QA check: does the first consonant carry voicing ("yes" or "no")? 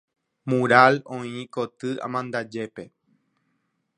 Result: yes